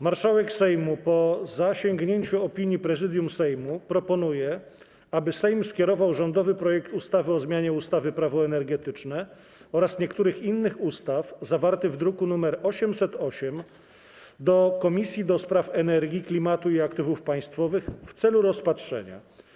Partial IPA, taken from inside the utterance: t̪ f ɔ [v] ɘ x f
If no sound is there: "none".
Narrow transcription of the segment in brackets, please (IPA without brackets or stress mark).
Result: v